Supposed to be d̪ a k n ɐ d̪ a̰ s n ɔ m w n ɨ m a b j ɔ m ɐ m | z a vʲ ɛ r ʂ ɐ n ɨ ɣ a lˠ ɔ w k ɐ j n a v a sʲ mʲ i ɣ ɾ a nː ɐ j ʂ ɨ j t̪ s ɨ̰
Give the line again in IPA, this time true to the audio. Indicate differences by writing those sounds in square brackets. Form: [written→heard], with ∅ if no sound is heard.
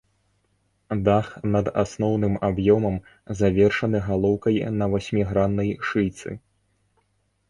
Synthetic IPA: d̪ a [k→x] n ɐ d̪ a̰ s n ɔ [m→∅] w n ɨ m a b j ɔ m ɐ m | z a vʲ ɛ r ʂ ɐ n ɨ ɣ a lˠ ɔ w k ɐ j n [a→ɐ] v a sʲ mʲ i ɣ ɾ a nː ɐ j ʂ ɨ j t̪ s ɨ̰